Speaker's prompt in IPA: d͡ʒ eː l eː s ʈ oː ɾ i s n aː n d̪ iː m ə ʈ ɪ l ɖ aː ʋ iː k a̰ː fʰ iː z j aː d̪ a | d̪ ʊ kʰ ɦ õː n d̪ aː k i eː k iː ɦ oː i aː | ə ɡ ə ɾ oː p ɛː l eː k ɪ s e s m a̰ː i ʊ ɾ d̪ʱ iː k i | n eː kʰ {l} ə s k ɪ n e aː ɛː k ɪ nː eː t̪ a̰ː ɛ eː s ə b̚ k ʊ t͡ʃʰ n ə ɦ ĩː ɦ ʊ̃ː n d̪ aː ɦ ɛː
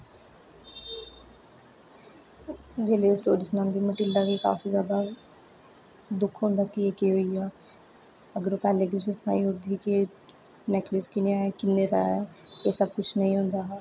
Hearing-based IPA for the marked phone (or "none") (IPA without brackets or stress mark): l